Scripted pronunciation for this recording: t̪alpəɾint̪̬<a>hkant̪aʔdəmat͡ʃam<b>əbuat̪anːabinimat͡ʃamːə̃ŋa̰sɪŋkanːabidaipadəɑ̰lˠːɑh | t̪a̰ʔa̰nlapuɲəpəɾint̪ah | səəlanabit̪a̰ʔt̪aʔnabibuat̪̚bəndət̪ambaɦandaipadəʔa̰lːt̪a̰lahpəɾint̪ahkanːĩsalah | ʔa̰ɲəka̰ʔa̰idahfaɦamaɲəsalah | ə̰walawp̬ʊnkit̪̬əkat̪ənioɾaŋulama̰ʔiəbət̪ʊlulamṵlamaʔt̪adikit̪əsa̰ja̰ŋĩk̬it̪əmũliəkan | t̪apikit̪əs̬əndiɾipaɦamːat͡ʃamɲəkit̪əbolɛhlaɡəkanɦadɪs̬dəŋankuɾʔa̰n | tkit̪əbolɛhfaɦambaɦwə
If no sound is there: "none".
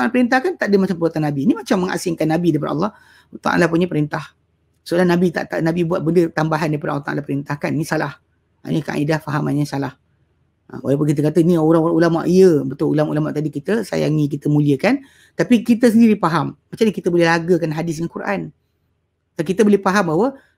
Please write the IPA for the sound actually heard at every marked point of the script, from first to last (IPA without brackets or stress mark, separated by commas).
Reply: a, p